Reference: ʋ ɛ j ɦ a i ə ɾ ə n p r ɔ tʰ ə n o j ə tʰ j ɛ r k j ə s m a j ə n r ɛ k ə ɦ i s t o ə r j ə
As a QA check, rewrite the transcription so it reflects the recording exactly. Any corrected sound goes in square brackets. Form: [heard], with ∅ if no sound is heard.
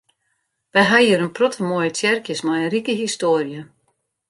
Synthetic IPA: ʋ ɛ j ɦ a i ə ɾ ə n p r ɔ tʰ ə [m] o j ə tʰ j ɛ r k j ə s m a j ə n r [i] k ə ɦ i s t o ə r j ə